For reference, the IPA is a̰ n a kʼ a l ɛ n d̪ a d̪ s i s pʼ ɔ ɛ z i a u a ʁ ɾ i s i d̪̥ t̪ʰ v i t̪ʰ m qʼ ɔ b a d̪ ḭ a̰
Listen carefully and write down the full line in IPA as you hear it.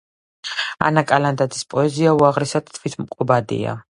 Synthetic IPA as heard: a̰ n a kʼ a l a n d̪ a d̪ z i s pʼ ɔ ɛ z i a u a ʁ ɾ i s a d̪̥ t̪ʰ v i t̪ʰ m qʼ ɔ b a d̪ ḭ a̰